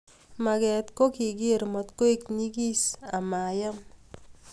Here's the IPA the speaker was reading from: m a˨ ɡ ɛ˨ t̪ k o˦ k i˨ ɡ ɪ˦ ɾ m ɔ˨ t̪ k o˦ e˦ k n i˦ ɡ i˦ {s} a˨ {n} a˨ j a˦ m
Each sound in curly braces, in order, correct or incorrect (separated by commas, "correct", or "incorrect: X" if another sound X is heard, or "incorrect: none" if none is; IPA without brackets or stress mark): correct, incorrect: m